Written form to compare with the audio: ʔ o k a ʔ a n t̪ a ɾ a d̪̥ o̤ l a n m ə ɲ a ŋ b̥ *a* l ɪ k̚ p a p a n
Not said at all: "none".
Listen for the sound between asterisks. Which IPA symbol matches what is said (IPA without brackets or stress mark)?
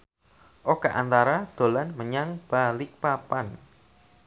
a